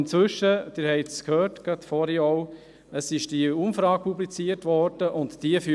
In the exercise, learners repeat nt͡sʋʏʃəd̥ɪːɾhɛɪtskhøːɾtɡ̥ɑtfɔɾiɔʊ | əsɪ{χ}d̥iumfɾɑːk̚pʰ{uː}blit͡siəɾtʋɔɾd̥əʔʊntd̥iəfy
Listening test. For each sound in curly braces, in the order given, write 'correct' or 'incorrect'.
incorrect: ʃ, incorrect: u

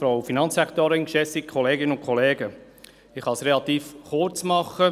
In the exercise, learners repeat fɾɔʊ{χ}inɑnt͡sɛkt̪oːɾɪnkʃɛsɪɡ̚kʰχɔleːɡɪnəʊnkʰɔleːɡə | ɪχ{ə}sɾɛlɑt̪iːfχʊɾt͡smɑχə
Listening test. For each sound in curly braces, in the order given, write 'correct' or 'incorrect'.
incorrect: f, incorrect: ɑ

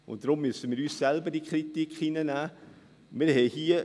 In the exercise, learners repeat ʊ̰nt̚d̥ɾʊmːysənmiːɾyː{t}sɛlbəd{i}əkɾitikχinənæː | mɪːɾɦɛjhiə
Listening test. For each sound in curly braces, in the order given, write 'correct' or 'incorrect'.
incorrect: s, correct

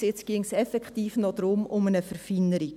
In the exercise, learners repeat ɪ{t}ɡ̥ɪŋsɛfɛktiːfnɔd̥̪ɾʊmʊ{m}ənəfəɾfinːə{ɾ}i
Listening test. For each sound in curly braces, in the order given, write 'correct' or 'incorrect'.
incorrect: t͡s, correct, correct

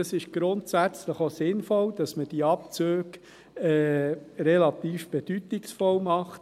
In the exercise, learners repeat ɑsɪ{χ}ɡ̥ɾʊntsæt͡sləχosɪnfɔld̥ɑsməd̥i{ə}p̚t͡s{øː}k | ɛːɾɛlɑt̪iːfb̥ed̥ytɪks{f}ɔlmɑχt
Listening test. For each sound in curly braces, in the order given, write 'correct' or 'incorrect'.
incorrect: ʃ, incorrect: ɑ, correct, correct

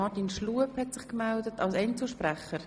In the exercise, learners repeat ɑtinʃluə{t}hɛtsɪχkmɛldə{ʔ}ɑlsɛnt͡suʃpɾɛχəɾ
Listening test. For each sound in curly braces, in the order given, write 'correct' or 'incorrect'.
incorrect: p, incorrect: t

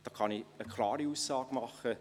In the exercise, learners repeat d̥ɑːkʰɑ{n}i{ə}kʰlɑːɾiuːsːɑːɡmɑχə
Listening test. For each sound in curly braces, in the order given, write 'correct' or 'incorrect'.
correct, correct

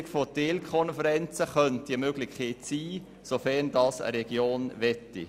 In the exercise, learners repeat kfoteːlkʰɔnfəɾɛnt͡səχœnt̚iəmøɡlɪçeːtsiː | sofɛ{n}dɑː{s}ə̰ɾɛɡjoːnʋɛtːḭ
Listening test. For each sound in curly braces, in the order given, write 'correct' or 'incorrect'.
correct, correct

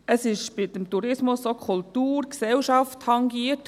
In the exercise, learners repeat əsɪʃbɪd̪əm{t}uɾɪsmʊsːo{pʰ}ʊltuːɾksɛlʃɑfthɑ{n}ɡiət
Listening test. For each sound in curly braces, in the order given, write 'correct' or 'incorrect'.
correct, incorrect: kʰ, incorrect: ŋ

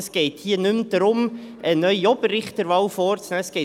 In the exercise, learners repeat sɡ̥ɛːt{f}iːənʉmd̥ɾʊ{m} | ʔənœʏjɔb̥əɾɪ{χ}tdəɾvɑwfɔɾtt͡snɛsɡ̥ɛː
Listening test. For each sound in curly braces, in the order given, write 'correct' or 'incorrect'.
incorrect: h, correct, correct

